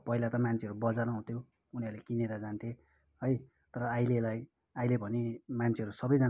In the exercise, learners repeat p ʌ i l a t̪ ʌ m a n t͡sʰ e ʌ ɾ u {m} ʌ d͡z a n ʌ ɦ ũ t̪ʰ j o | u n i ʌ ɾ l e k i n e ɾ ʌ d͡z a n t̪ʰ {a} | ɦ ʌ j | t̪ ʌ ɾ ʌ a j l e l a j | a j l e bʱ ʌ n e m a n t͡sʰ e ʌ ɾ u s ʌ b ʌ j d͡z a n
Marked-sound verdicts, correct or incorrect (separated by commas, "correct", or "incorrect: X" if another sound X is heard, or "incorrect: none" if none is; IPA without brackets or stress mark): incorrect: b, incorrect: e